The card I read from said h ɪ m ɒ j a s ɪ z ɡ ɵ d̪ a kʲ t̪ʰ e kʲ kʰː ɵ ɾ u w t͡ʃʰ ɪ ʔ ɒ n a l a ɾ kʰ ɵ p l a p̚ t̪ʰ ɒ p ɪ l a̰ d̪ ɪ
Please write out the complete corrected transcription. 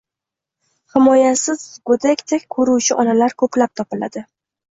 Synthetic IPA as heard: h ɪ m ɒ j a s ɪ z ɡ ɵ d̪ a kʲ t̪ʰ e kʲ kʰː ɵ ɾ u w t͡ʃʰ ɪ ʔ ɒ n a l a ɾ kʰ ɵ p l a p̚ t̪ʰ ɒ p ɪ l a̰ d̪ ɪ